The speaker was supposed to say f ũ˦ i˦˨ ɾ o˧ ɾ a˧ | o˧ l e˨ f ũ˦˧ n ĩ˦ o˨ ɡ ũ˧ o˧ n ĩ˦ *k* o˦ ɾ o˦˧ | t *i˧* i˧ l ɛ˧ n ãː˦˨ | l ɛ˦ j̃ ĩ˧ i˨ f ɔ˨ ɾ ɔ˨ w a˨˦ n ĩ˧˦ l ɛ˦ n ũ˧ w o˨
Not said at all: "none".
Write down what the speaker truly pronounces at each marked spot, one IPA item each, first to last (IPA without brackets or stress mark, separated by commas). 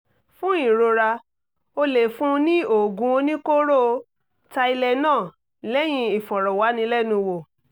k, a˧